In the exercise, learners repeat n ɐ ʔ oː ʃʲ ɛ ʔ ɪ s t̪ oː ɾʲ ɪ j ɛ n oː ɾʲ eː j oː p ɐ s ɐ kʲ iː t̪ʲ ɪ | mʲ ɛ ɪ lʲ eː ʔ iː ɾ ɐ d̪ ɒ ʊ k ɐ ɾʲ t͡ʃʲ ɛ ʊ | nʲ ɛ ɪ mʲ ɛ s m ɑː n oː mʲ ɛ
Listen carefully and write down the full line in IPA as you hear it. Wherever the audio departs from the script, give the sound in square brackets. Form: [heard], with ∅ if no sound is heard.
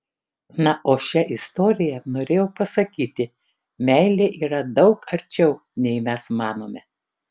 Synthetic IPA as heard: n ɐ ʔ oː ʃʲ ɛ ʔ ɪ s t̪ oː ɾʲ ɪ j ɛ n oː ɾʲ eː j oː p ɐ s ɐ kʲ iː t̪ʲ ɪ | mʲ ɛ ɪ lʲ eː ʔ iː ɾ ɐ d̪ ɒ ʊ k ɐ ɾʲ t͡ʃʲ ɛ ʊ | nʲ ɛ ɪ mʲ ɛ s m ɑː n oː mʲ ɛ